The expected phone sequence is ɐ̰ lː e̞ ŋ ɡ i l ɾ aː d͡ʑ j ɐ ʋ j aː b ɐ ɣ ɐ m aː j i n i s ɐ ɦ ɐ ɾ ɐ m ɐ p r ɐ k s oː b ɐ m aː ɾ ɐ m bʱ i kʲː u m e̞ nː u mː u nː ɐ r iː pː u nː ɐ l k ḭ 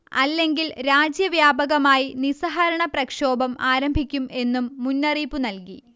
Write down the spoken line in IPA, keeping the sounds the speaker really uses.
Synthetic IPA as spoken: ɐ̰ lː e̞ ŋ ɡ i l ɾ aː d͡ʑ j ɐ ʋ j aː b ɐ ɣ ɐ m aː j i n i s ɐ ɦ ɐ ɾ ɐ ɳ ɐ p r ɐ k ʂ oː b ɐ m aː ɾ ɐ m bʱ i kʲː u m e̞ nː u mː u nː ɐ r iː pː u n ɐ l k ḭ